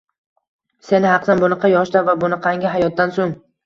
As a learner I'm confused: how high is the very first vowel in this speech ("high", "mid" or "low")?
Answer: mid